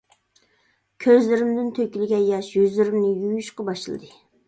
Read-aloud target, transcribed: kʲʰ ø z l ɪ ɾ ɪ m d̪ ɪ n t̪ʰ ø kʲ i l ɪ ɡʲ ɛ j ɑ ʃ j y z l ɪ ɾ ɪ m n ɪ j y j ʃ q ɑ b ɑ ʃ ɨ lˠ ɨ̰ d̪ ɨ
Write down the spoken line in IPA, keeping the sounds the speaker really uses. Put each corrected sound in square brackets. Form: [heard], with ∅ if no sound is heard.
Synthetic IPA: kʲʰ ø z l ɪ ɾ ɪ m d̪ ɪ n t̪ʰ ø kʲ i l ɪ ɡʲ ɛ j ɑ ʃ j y z l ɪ ɾ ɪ m n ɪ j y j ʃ q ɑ b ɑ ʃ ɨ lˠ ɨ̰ d̪ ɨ